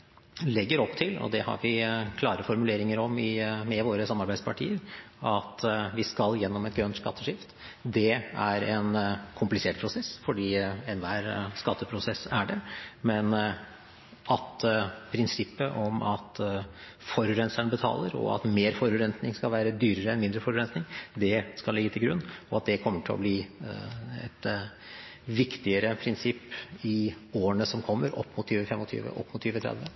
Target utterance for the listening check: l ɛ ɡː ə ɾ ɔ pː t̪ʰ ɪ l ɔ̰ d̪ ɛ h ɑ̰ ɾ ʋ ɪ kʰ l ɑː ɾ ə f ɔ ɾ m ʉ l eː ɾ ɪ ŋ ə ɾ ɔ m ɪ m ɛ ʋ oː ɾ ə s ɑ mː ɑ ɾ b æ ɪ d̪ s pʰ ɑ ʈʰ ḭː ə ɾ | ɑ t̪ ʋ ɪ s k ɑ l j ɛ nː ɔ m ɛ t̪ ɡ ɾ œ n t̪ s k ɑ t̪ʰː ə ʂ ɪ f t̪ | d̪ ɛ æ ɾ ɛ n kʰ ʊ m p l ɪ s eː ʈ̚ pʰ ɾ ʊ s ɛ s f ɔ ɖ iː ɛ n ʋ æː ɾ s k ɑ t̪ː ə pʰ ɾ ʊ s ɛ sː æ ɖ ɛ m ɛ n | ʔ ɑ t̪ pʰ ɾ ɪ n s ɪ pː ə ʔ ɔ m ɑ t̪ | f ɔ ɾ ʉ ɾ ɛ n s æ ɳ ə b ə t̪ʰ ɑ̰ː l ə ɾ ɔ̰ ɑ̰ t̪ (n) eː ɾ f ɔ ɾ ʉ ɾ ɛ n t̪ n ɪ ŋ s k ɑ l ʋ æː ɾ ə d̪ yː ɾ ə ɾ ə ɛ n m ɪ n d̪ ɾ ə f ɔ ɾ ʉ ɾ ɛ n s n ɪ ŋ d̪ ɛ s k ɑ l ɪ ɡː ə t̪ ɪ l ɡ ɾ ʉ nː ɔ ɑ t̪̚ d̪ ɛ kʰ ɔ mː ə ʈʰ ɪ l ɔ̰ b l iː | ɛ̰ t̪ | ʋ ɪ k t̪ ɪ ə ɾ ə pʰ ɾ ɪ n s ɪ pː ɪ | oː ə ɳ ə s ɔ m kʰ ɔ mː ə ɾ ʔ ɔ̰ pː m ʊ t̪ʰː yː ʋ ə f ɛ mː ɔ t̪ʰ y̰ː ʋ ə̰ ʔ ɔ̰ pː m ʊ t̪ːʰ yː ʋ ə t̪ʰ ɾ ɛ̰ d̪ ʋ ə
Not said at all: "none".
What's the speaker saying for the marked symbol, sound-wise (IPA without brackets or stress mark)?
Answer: m